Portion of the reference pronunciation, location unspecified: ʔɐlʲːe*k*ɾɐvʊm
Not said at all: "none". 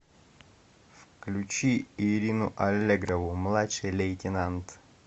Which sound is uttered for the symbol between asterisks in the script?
ɡ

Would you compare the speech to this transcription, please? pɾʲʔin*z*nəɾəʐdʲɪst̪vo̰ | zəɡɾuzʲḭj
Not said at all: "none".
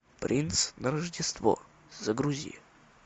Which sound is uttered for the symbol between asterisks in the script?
s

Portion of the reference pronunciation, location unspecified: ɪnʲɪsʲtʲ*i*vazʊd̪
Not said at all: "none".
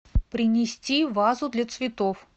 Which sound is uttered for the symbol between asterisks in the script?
i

